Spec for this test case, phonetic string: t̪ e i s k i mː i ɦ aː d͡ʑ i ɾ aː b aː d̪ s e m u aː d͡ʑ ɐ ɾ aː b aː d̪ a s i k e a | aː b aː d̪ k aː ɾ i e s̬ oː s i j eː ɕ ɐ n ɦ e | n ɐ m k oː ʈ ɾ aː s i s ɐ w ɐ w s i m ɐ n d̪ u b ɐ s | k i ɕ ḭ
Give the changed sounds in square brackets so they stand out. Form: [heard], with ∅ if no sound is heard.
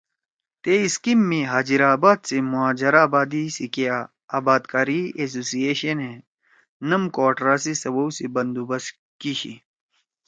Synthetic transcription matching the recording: t̪ e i s k i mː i ɦ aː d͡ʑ i ɾ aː b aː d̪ s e m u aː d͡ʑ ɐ ɾ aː b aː d̪ [i] s i k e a | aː b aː d̪ k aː ɾ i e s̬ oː s i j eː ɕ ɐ n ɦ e | n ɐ m k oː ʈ ɾ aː s i s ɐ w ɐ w s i [b] ɐ n d̪ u b ɐ s | k i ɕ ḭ